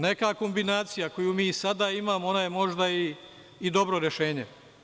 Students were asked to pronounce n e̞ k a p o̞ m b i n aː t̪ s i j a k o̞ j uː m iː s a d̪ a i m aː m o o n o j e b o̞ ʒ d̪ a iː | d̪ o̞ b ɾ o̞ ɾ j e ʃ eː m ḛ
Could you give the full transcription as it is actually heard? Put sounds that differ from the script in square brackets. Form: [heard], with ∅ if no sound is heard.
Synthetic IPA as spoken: n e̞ k a [k] o̞ m b i n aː t̪ s i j a k o̞ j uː m iː s a d̪ a i m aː m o o n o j e [m] o̞ ʒ d̪ a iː | d̪ o̞ b ɾ o̞ ɾ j e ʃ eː [ɲ] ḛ